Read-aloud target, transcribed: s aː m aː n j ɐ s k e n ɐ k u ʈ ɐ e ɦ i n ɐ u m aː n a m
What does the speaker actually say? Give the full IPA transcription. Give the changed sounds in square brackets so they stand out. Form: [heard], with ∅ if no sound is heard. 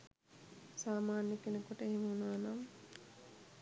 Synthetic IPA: s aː m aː n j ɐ [∅] k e n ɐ k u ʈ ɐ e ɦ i [m] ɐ u [n] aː n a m